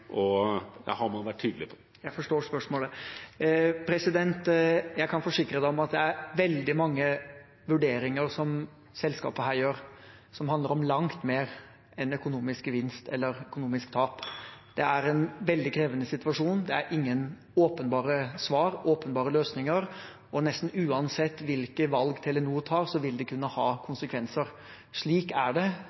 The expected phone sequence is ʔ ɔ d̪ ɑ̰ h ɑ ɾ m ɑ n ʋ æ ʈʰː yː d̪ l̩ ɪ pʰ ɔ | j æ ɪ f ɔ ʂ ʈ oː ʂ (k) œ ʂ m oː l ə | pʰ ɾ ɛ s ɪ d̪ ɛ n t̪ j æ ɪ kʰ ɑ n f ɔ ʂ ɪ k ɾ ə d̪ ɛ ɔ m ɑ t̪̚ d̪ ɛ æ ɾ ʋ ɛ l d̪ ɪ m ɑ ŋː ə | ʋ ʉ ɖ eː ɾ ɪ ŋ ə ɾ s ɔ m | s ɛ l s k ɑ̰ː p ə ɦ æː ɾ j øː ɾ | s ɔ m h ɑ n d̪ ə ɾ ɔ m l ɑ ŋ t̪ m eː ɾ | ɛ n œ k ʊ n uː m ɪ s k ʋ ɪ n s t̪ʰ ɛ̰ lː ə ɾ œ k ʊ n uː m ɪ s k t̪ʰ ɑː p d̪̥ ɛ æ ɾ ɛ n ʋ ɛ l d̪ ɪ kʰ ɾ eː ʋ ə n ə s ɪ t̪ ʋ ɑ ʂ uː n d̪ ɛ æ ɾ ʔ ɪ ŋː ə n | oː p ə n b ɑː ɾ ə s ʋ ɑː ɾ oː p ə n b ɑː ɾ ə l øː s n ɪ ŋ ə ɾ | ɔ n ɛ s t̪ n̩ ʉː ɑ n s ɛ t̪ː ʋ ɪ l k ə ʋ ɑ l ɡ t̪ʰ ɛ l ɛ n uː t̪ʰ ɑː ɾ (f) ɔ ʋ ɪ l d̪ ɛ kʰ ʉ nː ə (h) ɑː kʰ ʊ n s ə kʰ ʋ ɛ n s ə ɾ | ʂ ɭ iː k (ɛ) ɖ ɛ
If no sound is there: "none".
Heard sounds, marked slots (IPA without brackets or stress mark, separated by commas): p, s, h, æ